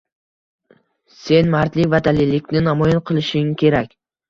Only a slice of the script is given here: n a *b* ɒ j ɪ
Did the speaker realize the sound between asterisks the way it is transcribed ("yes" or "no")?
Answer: no